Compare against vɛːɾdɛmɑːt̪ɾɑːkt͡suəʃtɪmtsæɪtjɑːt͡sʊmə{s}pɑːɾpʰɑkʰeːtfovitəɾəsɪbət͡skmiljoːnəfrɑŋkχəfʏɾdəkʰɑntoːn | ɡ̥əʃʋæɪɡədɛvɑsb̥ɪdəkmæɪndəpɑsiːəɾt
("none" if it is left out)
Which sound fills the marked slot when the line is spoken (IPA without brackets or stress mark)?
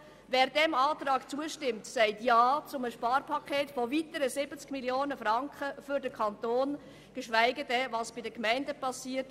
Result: ʃ